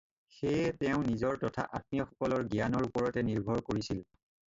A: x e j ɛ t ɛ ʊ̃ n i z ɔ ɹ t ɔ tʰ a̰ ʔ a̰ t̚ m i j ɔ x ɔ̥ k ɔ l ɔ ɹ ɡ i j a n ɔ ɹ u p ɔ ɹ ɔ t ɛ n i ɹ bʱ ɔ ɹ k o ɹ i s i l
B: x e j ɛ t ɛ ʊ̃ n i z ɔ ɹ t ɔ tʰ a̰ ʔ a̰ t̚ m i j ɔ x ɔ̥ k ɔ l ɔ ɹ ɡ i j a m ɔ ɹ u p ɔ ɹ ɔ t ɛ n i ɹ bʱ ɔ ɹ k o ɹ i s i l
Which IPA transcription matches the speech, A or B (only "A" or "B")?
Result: A